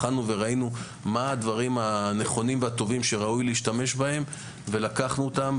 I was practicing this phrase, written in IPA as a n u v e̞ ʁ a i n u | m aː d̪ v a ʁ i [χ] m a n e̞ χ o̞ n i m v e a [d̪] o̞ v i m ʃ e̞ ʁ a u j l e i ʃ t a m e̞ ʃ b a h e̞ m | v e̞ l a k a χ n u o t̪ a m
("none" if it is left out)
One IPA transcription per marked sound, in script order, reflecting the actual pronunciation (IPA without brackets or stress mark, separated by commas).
none, t̪